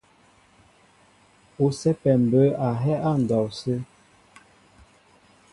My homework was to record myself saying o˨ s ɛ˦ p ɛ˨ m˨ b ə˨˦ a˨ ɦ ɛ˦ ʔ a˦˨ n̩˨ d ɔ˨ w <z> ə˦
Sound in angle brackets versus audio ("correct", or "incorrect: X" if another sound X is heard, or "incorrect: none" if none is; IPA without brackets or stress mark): incorrect: s